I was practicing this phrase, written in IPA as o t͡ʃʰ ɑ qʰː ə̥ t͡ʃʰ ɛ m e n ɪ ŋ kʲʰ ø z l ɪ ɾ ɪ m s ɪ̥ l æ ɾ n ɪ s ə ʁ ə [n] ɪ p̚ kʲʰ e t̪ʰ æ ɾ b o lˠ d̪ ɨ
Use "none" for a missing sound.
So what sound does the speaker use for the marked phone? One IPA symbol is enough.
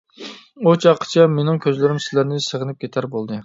n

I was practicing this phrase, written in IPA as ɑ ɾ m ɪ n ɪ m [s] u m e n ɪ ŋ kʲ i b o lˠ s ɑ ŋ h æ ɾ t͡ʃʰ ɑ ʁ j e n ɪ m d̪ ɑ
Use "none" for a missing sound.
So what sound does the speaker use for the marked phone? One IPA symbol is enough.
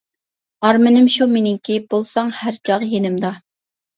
ʃ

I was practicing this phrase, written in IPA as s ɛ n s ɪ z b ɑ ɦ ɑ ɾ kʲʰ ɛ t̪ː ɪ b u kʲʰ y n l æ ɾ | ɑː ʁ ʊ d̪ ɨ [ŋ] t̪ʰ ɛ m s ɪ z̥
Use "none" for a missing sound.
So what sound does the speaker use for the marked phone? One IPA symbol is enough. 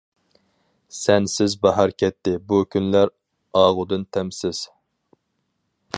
n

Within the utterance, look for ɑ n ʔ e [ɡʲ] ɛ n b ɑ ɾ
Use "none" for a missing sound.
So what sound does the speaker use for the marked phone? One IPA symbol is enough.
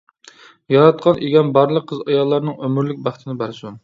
ɡʲ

